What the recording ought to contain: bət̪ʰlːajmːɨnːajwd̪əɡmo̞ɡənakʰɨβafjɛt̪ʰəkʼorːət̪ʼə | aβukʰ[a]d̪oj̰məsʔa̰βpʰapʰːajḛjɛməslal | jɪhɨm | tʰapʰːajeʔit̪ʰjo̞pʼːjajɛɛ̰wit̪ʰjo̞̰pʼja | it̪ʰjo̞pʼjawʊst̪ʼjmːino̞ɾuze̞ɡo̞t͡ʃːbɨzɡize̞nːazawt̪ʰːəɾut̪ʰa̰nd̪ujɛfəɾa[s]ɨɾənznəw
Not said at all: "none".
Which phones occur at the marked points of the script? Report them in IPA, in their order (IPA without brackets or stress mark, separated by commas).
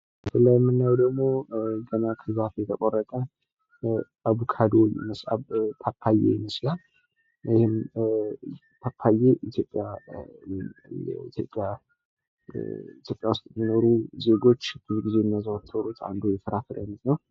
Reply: a, f